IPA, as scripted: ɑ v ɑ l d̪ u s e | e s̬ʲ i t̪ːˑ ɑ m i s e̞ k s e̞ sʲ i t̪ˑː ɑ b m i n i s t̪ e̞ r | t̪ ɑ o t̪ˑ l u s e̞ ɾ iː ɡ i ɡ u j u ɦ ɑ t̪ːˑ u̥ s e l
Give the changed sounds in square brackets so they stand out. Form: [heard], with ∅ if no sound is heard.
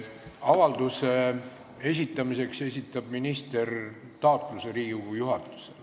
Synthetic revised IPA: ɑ v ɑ l d̪ u s e | e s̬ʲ i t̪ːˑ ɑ m i s e̞ k s e̞ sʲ i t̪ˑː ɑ b m i n i s t̪ e̞ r | t̪ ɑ o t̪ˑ l u s e̞ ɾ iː ɡ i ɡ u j u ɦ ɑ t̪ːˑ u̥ s e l